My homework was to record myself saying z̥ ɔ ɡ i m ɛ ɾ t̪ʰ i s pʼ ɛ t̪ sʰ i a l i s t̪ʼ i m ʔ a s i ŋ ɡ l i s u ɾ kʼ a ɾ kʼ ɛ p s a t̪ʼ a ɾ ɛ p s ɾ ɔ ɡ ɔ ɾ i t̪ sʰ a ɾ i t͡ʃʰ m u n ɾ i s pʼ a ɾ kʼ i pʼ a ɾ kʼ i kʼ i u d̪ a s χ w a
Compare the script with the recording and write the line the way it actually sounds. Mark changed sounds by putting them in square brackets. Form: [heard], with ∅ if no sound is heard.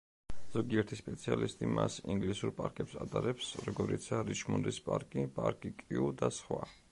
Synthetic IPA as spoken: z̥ ɔ ɡ i [∅] ɛ ɾ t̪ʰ i s pʼ ɛ t̪ sʰ i a l i s t̪ʼ i m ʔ a s i ŋ ɡ l i s u ɾ [pʼ] a ɾ kʼ ɛ p s a t̪ʼ a ɾ ɛ p s ɾ ɔ ɡ ɔ ɾ i t̪ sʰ a ɾ i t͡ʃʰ m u n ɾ i s pʼ a ɾ kʼ i pʼ a ɾ kʼ i kʼ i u d̪ a s χ w a